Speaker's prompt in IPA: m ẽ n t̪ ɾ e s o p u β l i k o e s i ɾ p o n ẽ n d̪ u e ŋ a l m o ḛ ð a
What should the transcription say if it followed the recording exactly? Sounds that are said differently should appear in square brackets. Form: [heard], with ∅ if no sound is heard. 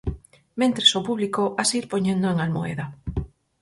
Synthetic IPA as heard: m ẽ n t̪ ɾ e s o p u β l i k o [a] s i ɾ p o [ɲ] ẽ n d̪ [o] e ŋ a l m o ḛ ð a